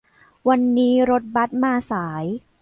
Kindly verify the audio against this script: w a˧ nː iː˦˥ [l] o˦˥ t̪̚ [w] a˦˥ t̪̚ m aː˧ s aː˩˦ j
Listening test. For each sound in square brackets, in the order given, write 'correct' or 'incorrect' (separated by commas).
incorrect, incorrect